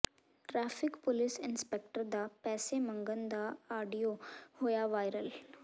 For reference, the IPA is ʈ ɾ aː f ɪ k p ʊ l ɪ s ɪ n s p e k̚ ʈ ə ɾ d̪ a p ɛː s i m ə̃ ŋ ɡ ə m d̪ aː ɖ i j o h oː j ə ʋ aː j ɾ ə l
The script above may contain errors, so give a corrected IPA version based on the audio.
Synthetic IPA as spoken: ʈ ɾ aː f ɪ k p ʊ l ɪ s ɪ n s p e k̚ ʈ ə ɾ d̪ a p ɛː s e m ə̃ ŋ ɡ ə n d̪ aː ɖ i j o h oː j a ʋ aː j ɾ ə l